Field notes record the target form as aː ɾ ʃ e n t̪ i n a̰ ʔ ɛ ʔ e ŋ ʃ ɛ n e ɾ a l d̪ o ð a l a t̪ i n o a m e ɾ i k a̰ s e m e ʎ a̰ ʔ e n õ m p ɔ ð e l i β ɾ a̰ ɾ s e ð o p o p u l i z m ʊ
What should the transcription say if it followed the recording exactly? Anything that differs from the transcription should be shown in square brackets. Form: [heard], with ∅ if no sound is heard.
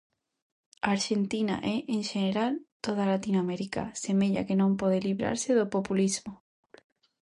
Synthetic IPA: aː ɾ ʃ e n t̪ i n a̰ ʔ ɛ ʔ e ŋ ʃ [e] n e ɾ a l [t̪] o ð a l a t̪ i n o a m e ɾ i k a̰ s e m e ʎ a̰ [k] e n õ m p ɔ ð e l i β ɾ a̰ ɾ s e ð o p o p u l i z m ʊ